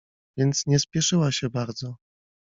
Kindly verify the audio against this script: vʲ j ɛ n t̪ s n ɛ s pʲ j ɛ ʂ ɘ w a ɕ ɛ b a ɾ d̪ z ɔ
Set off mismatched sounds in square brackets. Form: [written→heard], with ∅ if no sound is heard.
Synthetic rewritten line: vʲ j ɛ n t̪ s [n→ɲ] ɛ s pʲ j ɛ ʂ ɘ w a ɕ ɛ b a ɾ d̪ z ɔ